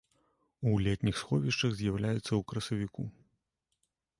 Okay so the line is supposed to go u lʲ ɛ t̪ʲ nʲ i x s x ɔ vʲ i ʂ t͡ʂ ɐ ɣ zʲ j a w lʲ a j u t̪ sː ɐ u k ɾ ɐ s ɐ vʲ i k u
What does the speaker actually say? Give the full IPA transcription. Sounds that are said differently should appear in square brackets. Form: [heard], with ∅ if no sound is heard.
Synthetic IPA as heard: u lʲ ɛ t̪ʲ nʲ i x s x ɔ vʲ i ʂ t͡ʂ ɐ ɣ zʲ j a w lʲ a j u t̪ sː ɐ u k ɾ ɐ s ɐ vʲ i k u